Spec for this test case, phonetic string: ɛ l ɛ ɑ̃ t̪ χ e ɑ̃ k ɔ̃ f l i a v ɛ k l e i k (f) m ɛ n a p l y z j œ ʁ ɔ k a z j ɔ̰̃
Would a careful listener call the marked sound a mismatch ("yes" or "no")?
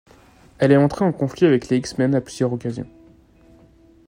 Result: yes